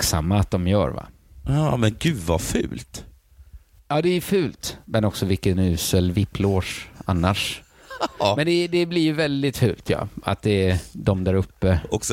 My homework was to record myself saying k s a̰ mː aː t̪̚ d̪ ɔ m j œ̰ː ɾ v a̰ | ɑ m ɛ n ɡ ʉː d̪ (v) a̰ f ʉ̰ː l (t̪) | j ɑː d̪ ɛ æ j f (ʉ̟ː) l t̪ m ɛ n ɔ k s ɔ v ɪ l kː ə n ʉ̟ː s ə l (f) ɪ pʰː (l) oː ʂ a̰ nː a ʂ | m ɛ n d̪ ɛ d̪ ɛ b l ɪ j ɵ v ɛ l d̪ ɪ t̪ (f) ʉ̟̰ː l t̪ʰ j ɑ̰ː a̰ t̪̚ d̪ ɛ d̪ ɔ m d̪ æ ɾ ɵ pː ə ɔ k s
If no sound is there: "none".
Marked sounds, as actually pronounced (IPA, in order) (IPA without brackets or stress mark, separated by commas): v, t̪, ʉ̟ː, v, l, f